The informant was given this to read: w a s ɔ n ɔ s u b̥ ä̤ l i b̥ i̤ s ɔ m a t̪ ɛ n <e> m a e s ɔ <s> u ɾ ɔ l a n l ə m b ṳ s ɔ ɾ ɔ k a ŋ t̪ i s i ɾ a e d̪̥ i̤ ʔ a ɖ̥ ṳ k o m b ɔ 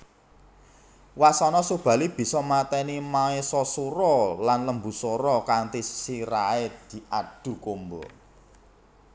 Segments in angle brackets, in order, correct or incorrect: incorrect, correct

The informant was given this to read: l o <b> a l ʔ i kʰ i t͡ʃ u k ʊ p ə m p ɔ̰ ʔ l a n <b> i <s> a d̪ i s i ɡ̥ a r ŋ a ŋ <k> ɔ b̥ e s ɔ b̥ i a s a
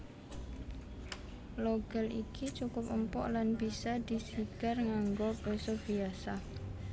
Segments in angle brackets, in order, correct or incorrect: incorrect, correct, correct, incorrect

